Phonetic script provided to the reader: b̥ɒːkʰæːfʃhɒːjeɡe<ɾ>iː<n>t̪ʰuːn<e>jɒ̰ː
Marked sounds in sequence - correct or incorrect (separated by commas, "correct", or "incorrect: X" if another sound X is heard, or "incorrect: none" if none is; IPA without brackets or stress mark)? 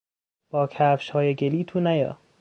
incorrect: l, incorrect: none, incorrect: æ